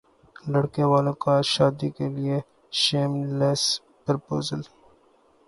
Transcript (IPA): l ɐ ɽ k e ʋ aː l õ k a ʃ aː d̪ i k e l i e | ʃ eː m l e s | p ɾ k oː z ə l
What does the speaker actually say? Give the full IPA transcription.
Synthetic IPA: l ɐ ɽ k e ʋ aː l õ k a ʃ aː d̪ i k e l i e | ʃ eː m l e s | p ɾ p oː z ə l